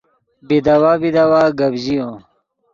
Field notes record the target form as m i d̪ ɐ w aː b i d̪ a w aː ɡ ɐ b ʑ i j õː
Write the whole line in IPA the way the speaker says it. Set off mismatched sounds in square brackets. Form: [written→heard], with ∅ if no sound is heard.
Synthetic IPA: [m→b] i d̪ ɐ w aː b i d̪ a w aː ɡ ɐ b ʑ i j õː